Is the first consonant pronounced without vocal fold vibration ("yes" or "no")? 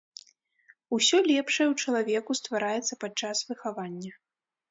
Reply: yes